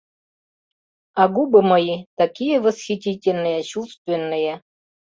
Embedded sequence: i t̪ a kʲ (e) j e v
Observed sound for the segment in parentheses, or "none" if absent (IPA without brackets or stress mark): i